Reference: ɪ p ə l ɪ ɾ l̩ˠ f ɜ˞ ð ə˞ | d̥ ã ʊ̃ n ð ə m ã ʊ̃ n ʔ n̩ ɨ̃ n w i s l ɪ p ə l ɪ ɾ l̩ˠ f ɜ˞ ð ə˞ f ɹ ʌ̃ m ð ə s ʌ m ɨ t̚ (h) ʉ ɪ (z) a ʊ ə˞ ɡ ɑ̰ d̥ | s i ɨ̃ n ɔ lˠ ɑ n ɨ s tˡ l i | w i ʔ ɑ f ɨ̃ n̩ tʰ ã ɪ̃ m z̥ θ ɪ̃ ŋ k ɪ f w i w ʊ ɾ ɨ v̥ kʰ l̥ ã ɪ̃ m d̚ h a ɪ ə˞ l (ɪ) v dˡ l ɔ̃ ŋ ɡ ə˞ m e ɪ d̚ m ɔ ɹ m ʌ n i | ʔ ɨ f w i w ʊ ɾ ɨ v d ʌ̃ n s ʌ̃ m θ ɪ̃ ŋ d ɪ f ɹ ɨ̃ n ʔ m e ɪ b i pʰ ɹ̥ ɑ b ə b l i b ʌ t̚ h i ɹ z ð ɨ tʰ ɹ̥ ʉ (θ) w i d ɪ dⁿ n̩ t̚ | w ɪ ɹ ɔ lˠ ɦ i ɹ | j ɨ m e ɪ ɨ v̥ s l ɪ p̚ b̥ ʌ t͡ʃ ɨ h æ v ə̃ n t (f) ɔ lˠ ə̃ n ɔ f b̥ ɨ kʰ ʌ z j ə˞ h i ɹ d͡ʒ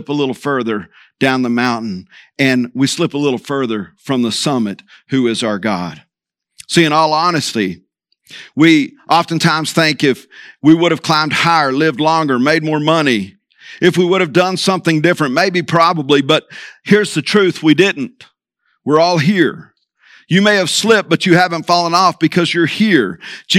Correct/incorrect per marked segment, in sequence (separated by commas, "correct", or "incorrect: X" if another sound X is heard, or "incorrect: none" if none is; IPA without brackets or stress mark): correct, correct, correct, correct, correct